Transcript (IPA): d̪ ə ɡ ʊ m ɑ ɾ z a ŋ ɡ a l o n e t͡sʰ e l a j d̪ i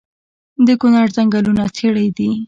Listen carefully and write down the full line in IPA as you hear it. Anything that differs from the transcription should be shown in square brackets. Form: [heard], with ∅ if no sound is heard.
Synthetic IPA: d̪ ə [k] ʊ [n] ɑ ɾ z a ŋ ɡ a l [u] n [a] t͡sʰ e [ɽ] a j d̪ i